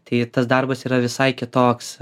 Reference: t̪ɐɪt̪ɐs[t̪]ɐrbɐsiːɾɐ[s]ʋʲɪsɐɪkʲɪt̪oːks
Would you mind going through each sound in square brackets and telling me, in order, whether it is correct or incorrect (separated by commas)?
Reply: incorrect, incorrect